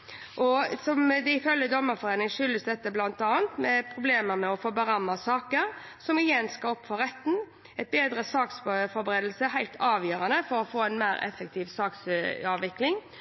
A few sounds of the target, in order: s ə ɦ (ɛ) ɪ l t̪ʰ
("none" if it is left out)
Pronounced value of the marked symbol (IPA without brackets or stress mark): æ